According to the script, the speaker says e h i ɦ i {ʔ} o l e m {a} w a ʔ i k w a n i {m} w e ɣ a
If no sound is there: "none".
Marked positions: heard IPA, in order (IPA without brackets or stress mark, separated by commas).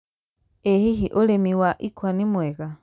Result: ʔ, i, m